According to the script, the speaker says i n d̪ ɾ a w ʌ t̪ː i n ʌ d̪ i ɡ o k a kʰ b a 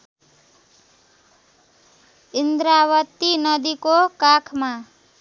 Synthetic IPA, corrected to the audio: i n d̪ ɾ a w ʌ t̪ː i n ʌ d̪ i k o k a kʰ m a